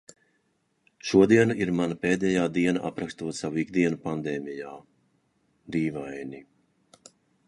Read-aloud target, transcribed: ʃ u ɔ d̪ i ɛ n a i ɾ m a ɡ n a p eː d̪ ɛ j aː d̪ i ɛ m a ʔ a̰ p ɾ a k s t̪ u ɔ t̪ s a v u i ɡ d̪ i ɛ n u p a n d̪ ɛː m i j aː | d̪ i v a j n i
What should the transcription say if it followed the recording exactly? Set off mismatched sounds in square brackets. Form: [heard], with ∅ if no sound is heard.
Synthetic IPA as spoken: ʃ u ɔ d̪ i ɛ n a i ɾ m a [∅] n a p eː d̪ ɛ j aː d̪ i ɛ [n] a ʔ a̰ p ɾ a k s t̪ u ɔ t̪ s a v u i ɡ d̪ i ɛ n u p a n d̪ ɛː m i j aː | d̪ [iː] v a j n i